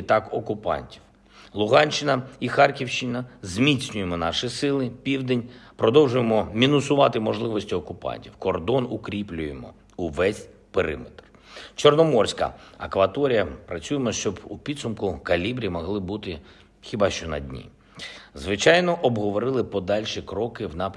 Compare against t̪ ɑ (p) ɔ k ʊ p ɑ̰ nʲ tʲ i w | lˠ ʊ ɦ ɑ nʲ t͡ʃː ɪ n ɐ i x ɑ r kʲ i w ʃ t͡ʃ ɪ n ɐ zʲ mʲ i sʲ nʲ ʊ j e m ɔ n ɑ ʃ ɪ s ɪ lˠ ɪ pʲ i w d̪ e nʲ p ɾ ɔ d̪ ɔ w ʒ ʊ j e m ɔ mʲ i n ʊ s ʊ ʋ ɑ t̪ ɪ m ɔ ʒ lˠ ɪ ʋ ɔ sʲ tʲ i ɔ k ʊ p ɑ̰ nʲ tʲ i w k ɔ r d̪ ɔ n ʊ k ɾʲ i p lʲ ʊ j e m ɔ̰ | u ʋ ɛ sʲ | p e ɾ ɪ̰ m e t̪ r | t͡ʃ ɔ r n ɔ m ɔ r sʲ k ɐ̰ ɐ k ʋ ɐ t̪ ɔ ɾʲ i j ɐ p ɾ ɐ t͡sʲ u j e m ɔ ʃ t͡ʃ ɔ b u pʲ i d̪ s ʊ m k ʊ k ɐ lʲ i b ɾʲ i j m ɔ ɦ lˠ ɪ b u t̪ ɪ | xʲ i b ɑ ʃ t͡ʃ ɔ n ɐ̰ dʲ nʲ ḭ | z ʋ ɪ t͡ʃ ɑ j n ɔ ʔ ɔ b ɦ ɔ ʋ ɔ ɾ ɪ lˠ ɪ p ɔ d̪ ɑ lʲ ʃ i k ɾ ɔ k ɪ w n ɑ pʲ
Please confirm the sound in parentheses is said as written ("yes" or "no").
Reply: no